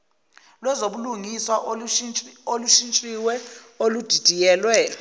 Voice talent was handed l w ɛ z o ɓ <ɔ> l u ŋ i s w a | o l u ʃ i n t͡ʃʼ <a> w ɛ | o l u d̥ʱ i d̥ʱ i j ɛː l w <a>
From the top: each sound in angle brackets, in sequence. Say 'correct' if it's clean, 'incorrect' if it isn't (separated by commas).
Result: incorrect, incorrect, incorrect